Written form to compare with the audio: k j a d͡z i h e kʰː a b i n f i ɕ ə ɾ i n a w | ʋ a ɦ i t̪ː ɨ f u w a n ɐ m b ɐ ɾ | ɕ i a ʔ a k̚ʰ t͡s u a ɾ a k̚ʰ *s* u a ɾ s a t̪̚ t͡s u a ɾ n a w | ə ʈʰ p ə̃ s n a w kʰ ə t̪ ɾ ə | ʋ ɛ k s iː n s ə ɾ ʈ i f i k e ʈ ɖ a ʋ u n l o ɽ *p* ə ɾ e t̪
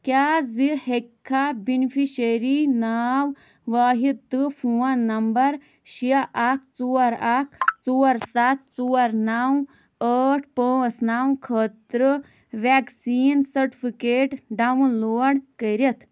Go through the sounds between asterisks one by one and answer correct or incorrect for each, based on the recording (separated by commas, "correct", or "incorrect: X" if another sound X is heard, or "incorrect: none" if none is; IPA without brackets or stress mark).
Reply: incorrect: t͡s, incorrect: k